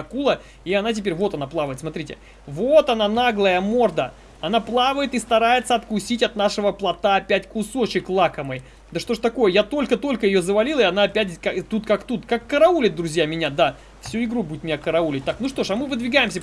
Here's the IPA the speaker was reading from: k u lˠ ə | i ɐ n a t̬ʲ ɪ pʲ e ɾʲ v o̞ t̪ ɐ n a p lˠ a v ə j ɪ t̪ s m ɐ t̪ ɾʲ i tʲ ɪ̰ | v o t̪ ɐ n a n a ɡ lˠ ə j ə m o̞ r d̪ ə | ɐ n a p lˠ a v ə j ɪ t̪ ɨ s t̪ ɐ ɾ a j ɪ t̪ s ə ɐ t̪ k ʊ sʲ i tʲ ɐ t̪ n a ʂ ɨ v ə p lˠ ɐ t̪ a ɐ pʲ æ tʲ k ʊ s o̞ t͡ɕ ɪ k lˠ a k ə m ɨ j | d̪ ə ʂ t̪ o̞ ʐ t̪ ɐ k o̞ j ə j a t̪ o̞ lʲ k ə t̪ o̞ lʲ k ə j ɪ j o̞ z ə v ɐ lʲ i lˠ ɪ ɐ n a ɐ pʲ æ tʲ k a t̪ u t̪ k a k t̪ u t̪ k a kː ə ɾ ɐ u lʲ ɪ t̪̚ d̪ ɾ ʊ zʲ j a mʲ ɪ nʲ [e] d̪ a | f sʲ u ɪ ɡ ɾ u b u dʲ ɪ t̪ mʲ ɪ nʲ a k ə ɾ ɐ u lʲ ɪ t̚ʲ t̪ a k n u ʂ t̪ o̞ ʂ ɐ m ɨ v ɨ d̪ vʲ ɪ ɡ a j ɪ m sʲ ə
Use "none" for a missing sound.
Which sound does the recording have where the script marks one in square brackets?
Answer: a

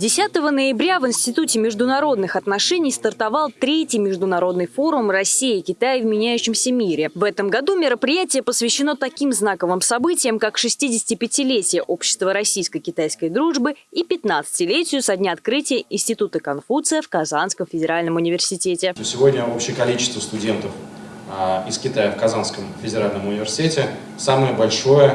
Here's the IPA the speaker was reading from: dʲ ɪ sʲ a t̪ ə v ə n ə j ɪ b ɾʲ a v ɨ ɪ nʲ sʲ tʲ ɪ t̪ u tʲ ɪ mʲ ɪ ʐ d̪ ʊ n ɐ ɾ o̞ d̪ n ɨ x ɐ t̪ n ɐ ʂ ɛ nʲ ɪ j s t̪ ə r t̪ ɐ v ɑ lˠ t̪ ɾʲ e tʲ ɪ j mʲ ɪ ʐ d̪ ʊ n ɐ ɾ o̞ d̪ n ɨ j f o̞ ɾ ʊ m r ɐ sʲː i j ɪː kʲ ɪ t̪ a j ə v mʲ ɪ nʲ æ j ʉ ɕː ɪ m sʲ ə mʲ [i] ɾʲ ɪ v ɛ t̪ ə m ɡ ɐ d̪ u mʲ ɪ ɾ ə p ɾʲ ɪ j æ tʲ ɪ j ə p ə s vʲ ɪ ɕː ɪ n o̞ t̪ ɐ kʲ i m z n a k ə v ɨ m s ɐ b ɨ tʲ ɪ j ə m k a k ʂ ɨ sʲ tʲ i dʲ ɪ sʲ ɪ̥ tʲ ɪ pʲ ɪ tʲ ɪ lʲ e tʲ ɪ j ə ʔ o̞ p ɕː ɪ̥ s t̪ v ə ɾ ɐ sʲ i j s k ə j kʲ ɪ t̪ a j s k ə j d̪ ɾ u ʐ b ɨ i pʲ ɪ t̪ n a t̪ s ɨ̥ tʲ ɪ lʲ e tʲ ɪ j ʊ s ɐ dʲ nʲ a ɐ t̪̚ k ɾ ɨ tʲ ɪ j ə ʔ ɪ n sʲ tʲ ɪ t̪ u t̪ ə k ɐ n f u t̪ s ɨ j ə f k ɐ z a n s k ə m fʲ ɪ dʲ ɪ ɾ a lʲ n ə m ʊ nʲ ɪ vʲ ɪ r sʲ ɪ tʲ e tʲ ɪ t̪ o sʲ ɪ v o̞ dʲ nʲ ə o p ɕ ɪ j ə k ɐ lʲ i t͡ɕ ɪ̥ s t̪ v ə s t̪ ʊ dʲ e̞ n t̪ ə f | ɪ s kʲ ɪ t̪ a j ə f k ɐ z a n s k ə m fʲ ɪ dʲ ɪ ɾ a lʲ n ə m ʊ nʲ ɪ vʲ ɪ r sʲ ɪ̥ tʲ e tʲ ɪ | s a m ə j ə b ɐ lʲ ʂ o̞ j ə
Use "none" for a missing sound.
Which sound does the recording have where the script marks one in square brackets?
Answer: i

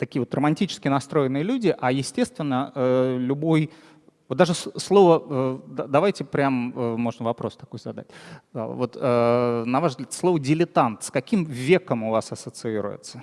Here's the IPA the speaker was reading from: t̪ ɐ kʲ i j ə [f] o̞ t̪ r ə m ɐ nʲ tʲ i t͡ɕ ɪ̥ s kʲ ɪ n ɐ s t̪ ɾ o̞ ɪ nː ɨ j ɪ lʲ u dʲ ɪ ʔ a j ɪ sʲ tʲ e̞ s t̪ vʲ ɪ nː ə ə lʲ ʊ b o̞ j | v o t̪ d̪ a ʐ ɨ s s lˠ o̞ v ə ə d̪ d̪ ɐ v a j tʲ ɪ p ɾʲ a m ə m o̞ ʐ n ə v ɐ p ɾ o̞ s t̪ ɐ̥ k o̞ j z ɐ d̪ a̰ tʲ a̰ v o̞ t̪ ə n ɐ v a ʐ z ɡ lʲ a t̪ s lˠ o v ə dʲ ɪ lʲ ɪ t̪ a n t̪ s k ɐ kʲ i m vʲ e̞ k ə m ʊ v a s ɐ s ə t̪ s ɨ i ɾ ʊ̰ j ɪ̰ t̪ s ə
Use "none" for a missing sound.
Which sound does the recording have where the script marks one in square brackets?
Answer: v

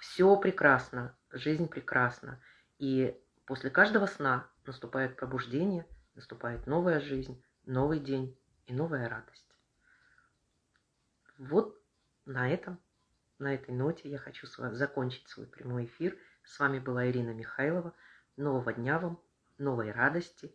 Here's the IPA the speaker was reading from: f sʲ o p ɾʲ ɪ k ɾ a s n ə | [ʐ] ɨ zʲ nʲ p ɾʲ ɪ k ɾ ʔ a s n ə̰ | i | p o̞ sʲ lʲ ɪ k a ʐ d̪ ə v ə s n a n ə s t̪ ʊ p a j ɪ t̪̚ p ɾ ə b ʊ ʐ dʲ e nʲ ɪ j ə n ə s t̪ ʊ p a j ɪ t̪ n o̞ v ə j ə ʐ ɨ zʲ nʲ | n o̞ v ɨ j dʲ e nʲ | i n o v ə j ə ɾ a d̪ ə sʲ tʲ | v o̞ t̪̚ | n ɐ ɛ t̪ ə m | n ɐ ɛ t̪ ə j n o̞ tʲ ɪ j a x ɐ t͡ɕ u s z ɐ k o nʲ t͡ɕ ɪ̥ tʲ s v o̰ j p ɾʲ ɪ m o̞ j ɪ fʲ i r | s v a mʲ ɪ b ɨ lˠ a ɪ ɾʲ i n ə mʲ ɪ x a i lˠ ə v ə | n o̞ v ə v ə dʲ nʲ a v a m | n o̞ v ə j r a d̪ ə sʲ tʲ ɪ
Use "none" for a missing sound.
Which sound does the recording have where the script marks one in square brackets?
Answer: ʐ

